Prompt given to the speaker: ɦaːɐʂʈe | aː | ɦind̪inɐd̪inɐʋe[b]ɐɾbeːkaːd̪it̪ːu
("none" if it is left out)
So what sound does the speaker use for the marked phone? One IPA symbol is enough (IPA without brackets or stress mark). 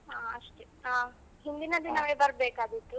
b